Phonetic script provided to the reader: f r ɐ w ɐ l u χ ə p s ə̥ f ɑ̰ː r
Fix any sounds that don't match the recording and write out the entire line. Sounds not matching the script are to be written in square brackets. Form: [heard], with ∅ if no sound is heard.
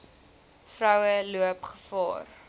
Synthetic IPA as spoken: f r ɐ w [ə] l u [∅] ə p [χ] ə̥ f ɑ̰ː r